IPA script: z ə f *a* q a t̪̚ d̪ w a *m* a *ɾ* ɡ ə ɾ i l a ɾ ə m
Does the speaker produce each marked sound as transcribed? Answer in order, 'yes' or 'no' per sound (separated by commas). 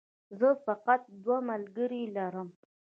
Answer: yes, yes, no